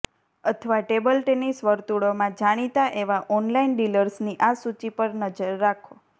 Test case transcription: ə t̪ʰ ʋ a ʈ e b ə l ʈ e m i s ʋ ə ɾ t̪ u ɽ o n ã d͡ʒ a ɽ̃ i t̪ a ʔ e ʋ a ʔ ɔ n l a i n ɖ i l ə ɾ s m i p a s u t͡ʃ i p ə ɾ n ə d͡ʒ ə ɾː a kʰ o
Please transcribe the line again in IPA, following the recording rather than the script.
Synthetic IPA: ə t̪ʰ ʋ a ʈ e b ə l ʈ e n i s ʋ ə ɾ t̪ u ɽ o m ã d͡ʒ a ɽ̃ i t̪ a ʔ e ʋ a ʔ ɔ n l a i n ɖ i l ə ɾ s n i ʔ a s u t͡ʃ i p ə ɾ n ə d͡ʒ ə ɾː a kʰ o